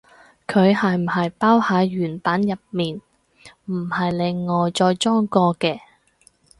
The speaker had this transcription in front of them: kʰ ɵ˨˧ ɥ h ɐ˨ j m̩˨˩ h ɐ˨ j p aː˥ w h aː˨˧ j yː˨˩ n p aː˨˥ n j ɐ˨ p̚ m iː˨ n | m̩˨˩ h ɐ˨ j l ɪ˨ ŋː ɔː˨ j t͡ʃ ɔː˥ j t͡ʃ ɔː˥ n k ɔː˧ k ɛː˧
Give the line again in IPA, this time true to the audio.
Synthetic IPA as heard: kʰ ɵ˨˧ ɥ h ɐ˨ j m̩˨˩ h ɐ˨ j p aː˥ w h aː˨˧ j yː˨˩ n p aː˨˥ n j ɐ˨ p̚ m iː˨ n | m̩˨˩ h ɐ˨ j l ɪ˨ ŋː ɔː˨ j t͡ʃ ɔː˧ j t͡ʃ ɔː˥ ŋ k ɔː˧ k ɛː˧